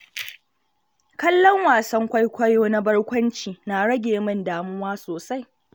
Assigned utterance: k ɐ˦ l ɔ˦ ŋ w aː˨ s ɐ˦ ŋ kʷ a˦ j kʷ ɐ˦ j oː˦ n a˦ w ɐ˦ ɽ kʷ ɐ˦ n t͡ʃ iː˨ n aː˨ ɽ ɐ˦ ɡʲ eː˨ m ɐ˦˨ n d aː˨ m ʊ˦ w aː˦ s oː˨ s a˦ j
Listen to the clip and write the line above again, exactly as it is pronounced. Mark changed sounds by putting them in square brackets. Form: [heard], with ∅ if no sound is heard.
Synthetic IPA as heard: k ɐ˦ [lː] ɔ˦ ŋ w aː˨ s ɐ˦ ŋ kʷ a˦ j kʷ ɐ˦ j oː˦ n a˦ [b] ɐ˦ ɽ kʷ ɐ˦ n t͡ʃ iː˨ n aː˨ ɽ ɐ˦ ɡʲ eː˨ m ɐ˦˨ n d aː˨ m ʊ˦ w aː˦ s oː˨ s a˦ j